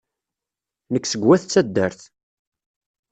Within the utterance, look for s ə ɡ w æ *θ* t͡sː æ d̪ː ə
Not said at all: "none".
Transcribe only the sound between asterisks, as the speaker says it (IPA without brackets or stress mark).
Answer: θ